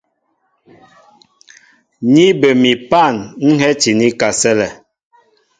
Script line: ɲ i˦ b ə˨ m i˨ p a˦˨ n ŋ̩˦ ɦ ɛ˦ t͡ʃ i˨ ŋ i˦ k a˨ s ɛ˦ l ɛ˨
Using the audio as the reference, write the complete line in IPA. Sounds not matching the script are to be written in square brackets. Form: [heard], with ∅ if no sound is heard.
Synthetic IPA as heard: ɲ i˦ b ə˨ m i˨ p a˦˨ n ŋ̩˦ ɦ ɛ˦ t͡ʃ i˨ [n] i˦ k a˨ s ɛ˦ l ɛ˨